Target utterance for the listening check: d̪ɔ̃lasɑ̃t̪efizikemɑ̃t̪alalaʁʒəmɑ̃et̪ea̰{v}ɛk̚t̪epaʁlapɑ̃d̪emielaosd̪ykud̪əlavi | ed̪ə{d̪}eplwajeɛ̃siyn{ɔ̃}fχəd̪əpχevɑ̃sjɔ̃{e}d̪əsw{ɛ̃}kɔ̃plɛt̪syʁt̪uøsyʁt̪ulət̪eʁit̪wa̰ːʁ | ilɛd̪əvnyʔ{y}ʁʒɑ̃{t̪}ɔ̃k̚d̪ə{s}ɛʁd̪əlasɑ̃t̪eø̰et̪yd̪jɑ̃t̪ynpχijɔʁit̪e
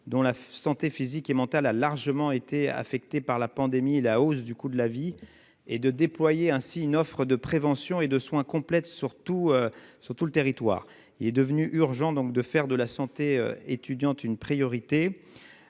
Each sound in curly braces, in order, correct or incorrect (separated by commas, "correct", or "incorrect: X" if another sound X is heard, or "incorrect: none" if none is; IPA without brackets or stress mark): incorrect: f, correct, incorrect: ɔ, correct, correct, correct, incorrect: d̪, incorrect: f